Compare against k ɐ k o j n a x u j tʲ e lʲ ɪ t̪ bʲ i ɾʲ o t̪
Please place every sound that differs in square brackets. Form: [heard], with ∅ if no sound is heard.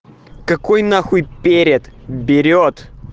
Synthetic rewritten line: k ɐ k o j n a x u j [pʲ] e [ɾʲ] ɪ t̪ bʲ [ɪ] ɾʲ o t̪